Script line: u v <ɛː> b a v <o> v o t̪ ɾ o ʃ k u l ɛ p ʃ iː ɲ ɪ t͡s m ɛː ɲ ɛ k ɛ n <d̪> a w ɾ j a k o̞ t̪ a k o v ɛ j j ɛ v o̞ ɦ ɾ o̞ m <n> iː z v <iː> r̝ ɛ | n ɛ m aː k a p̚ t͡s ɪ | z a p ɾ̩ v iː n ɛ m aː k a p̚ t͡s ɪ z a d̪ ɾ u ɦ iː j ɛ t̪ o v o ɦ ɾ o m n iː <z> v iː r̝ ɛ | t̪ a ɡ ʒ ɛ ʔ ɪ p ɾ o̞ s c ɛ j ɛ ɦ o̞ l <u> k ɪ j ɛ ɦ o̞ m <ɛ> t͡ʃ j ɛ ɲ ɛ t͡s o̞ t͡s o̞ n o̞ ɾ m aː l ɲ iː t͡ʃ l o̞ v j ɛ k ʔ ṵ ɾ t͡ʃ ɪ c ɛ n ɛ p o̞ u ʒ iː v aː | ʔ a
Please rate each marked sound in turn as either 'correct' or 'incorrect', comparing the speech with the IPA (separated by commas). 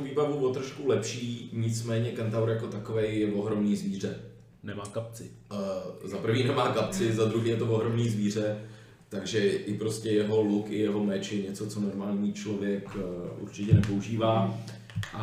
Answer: incorrect, incorrect, incorrect, correct, correct, correct, correct, correct